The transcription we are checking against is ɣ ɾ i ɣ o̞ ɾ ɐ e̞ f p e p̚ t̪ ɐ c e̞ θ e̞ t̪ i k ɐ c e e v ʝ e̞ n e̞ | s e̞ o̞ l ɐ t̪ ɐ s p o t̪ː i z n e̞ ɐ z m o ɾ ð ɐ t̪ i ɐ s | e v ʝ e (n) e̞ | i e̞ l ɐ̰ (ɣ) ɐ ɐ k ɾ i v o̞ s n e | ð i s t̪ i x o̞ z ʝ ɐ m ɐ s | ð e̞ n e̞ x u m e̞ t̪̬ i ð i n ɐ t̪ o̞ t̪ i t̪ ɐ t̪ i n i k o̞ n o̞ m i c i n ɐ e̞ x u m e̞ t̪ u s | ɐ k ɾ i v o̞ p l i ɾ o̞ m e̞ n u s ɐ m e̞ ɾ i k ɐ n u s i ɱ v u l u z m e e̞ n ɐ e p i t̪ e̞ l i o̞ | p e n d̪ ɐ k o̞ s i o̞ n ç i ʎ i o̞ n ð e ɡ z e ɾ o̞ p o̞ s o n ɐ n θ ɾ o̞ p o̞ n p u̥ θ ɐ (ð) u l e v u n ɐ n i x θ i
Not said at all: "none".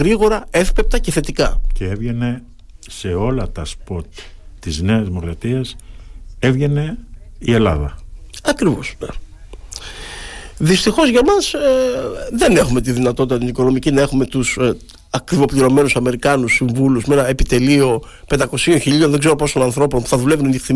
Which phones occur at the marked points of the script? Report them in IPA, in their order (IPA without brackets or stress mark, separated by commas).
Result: n, ð, ð